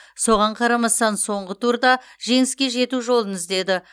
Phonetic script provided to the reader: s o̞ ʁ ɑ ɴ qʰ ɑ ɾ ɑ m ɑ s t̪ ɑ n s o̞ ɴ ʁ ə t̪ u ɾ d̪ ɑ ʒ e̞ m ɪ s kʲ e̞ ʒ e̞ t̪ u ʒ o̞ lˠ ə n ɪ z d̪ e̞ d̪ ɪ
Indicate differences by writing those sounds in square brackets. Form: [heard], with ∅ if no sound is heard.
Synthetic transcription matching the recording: s o̞ ʁ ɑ ɴ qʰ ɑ ɾ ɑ m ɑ s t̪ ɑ n s o̞ ɴ ʁ ə t̪ u ɾ d̪ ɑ ʒ e̞ [ŋ] ɪ s kʲ e̞ ʒ e̞ t̪ u ʒ o̞ lˠ ə n ɪ z d̪ e̞ d̪ ɪ